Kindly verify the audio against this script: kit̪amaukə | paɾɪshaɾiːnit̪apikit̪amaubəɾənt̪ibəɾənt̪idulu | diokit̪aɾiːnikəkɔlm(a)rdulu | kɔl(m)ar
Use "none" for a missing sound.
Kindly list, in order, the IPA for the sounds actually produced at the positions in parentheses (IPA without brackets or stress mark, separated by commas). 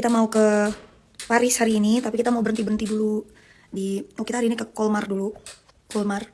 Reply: a, m